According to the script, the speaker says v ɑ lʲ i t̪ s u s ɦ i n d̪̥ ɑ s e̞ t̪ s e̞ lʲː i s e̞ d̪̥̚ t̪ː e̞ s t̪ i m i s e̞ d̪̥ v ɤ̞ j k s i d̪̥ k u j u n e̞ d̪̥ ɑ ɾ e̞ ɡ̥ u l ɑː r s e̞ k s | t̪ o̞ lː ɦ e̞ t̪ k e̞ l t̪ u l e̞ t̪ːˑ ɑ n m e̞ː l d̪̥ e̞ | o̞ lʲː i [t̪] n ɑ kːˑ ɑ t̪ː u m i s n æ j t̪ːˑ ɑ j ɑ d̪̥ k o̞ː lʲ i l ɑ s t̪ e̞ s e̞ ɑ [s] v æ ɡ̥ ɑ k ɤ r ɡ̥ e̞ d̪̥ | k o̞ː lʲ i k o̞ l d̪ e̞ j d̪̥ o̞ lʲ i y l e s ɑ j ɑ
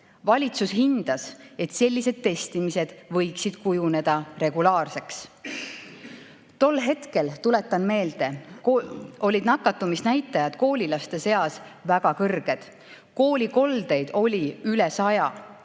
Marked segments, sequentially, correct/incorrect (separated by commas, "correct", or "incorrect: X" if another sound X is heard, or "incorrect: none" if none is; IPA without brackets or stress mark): incorrect: d̪, correct